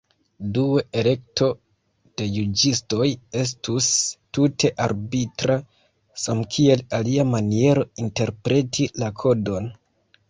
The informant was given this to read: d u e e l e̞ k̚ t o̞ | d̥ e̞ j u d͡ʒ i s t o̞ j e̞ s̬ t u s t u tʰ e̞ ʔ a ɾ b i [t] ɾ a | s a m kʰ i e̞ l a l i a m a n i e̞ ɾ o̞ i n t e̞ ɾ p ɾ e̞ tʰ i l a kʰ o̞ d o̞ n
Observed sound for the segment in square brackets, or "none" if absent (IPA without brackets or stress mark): t